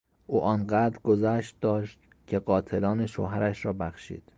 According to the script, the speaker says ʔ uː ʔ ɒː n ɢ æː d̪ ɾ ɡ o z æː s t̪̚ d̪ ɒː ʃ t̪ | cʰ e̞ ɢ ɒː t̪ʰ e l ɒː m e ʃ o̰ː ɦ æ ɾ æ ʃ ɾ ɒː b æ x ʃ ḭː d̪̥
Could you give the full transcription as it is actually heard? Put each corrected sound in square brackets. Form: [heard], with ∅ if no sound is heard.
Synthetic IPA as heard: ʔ uː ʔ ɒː n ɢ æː d̪ ɾ ɡ o z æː [ʃ] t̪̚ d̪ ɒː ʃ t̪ | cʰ e̞ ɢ ɒː t̪ʰ e l ɒː [n] e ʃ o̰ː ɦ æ ɾ æ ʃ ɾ ɒː b æ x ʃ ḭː d̪̥